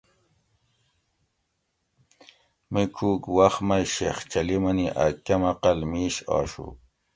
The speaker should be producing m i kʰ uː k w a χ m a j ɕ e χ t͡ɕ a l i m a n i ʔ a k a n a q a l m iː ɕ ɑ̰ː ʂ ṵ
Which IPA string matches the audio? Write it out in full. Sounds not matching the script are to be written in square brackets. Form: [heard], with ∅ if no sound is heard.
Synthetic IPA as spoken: m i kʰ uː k w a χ m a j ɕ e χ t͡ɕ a l i m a n i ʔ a k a [m] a q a l m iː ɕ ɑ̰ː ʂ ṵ